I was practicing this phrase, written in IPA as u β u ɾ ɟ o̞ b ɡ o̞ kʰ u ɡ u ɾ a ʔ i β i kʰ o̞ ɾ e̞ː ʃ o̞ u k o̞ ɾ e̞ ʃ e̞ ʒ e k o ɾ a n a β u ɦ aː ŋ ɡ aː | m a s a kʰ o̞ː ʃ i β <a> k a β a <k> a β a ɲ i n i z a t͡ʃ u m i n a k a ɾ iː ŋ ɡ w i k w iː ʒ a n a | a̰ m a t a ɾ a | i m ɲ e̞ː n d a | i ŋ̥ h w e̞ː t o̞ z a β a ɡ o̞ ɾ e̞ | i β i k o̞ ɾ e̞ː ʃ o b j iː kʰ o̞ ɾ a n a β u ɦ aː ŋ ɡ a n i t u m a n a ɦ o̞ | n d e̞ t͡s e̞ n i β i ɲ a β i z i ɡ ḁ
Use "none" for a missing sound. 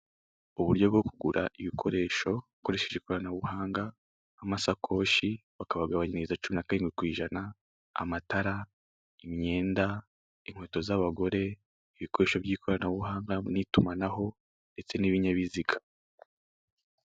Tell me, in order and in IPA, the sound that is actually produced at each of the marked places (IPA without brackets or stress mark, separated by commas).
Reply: a, ɡ